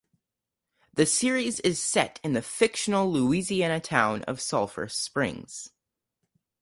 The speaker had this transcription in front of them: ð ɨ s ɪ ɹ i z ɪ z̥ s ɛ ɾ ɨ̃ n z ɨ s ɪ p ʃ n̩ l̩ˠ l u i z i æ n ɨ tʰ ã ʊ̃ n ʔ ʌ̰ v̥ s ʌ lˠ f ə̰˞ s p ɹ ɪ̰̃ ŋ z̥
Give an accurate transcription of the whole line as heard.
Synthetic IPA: ð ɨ s ɪ ɹ i z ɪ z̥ s ɛ ɾ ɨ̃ n ð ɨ f ɪ k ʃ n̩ l̩ˠ l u i z i æ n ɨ tʰ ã ʊ̃ n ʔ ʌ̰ v̥ s ʌ lˠ f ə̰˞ s p ɹ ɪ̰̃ ŋ z̥